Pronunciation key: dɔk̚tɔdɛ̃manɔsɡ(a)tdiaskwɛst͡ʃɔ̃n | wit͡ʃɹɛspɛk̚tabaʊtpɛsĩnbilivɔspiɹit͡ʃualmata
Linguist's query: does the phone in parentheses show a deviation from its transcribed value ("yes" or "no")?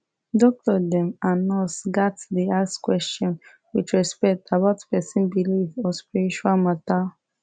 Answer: no